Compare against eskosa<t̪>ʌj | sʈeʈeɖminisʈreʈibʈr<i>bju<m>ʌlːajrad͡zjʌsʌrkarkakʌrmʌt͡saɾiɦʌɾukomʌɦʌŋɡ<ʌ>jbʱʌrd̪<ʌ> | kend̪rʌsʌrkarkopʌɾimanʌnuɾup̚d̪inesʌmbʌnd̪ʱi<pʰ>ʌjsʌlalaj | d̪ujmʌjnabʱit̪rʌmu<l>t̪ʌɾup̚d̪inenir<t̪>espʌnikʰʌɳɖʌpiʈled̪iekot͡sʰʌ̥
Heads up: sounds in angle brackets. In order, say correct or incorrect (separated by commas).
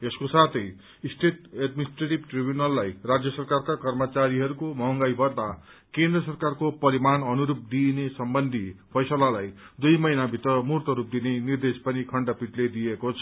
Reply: incorrect, correct, incorrect, incorrect, incorrect, correct, incorrect, incorrect